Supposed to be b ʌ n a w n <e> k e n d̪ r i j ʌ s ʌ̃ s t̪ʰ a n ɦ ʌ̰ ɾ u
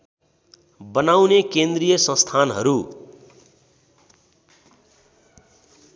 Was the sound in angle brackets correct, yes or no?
yes